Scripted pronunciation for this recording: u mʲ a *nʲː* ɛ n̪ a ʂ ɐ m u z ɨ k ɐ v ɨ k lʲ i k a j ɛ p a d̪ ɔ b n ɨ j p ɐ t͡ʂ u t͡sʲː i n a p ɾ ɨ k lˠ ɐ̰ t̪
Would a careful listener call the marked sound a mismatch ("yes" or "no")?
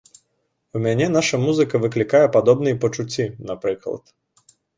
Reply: yes